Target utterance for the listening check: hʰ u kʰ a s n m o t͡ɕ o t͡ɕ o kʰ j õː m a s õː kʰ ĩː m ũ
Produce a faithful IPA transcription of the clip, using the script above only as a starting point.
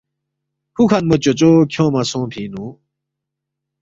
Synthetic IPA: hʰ u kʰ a n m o t͡ɕ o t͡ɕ o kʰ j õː m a s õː pʰ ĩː n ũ